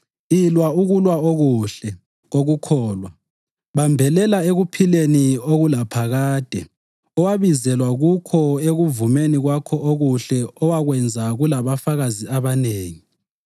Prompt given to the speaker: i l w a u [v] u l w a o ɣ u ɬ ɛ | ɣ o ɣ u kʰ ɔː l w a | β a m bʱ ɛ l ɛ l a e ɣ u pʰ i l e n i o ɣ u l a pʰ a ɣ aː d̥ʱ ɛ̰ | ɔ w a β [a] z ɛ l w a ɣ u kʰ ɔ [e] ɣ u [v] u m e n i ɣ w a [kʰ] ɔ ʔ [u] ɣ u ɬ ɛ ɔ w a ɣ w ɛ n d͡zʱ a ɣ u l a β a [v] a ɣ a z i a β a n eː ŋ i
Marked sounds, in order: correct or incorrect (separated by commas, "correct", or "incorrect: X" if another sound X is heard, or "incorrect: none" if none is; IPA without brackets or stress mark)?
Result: incorrect: ɣ, incorrect: i, correct, correct, correct, incorrect: o, incorrect: f